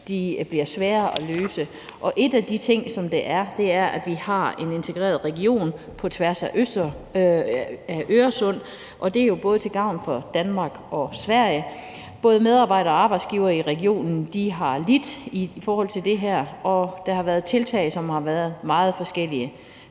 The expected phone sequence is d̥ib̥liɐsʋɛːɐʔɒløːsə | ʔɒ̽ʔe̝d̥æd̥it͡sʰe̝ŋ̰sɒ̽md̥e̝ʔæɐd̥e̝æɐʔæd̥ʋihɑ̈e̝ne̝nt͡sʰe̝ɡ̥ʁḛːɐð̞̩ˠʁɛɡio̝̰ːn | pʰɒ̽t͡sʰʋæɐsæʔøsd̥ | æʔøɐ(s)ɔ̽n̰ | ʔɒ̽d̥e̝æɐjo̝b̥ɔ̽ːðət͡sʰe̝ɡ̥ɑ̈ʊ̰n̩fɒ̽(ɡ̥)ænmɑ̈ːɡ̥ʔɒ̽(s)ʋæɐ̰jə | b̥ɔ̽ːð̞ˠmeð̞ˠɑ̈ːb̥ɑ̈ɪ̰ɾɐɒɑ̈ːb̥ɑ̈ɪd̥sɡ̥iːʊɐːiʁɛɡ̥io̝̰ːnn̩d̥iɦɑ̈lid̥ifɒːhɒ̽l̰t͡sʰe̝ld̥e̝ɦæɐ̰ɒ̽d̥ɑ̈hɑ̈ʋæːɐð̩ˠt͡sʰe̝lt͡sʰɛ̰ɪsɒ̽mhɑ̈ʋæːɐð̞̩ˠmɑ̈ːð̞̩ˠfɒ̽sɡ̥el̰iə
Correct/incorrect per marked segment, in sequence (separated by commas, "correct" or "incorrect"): correct, incorrect, correct